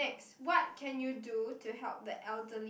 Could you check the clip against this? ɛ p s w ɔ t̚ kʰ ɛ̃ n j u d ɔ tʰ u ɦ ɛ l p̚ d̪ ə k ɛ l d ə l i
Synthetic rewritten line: ɛ k s w ɔ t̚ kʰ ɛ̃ n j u d u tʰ u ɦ ɛ l p̚ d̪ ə ʔ ɛ l d ə l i